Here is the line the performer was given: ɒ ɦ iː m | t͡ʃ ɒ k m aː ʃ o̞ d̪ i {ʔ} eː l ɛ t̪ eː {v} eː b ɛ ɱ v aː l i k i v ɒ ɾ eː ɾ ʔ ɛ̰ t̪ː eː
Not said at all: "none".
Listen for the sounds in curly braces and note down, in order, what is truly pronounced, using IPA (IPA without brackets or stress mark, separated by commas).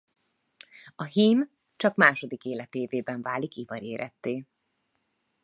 k, v